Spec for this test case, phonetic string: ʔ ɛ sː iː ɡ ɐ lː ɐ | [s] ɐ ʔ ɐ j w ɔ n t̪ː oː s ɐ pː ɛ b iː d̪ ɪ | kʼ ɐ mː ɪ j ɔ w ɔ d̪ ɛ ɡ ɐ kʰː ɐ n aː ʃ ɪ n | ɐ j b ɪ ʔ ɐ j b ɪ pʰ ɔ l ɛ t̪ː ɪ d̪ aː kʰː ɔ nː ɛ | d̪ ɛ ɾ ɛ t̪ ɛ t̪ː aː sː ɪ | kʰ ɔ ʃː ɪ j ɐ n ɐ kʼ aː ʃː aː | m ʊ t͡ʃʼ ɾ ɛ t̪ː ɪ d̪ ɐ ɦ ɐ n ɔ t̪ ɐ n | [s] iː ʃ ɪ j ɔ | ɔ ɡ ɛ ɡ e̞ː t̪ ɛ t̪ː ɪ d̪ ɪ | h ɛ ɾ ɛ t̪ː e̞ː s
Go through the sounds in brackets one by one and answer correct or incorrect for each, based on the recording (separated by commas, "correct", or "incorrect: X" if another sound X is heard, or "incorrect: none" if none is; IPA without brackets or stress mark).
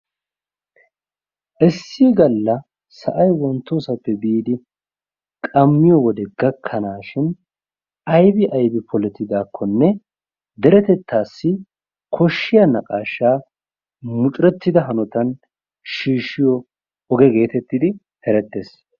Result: correct, incorrect: ʃ